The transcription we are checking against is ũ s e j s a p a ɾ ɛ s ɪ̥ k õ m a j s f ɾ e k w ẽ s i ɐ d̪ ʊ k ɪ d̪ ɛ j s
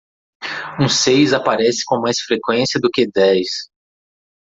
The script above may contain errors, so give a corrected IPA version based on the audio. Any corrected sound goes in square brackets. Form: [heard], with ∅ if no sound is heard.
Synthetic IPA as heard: ũ s e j [z] a p a ɾ ɛ s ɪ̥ k õ m a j s f ɾ e k w ẽ s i ɐ d̪ ʊ k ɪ d̪ ɛ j s